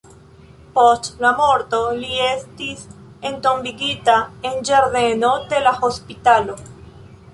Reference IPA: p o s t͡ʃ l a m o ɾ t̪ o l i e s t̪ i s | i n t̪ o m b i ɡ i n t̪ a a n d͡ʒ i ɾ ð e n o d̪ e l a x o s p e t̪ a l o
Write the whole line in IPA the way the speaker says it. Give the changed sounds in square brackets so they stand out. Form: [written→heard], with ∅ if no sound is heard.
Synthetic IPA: p o s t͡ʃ l a m o ɾ t̪ o l i e s t̪ i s | [i→e] n t̪ o m b i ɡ i [n→∅] t̪ a [a→e] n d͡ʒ [i→e] ɾ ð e n o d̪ e l a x o s p [e→i] t̪ a l o